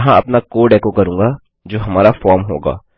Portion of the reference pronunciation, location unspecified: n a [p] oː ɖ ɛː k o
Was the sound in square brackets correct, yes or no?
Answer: no